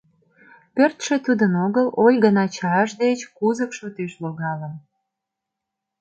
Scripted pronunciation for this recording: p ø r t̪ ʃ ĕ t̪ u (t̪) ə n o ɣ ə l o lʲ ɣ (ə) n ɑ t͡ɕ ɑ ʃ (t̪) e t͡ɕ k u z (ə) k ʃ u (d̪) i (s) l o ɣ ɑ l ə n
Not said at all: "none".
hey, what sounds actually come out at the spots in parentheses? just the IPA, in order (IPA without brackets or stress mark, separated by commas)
d̪, ə, d̪, ə, t̪, ʃ